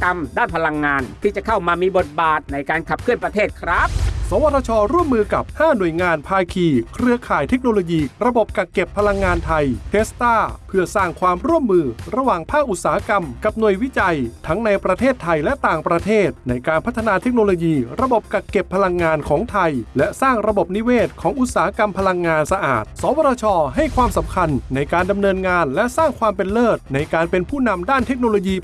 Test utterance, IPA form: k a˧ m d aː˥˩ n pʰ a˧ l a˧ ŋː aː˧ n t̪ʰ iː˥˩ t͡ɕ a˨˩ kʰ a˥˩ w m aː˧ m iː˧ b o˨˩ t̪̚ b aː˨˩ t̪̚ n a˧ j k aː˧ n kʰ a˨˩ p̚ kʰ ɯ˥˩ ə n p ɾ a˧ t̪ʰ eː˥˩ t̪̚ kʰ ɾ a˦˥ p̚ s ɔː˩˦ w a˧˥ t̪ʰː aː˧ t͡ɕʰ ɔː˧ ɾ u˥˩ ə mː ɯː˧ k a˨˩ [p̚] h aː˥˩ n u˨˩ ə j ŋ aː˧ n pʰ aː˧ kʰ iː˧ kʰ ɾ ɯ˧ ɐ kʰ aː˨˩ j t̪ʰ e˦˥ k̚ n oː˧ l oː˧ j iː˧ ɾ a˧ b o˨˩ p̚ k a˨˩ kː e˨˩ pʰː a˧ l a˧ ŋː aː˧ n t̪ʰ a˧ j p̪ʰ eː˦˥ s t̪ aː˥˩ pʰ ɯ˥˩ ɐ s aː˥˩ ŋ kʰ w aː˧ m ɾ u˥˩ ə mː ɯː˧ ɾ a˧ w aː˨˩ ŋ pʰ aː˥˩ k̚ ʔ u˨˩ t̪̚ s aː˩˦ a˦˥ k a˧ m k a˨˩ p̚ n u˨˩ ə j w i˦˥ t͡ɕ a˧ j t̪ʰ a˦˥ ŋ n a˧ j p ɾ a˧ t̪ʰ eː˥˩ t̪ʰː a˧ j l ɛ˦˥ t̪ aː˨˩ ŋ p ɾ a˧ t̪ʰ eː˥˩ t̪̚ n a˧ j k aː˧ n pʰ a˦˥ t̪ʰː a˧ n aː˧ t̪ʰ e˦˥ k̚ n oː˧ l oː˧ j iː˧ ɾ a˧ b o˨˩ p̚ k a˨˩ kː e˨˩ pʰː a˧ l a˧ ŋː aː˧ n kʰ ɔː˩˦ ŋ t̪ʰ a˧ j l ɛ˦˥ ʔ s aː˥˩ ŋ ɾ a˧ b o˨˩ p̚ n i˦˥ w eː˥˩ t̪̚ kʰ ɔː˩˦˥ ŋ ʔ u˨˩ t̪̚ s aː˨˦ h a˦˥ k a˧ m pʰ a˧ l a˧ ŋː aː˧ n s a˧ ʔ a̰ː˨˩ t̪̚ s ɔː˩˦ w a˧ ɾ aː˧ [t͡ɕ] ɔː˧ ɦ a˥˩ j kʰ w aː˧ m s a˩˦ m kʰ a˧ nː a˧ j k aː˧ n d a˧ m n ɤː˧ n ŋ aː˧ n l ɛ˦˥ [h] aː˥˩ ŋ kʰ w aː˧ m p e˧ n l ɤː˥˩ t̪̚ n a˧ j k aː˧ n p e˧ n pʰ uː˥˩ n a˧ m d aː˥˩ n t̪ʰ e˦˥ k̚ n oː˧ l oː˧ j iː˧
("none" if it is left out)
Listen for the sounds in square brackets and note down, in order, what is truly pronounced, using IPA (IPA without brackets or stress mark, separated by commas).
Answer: p̚, t͡ɕʰ, s